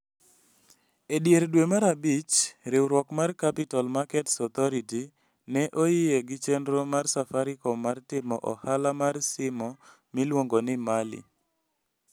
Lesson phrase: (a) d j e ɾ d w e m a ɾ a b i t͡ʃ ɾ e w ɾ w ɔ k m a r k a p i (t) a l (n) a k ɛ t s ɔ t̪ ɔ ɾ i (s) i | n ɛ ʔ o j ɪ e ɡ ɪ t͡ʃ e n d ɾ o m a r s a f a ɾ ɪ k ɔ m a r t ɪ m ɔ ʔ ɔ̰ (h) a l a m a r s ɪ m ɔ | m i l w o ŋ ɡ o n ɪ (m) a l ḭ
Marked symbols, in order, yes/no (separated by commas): no, yes, no, no, yes, yes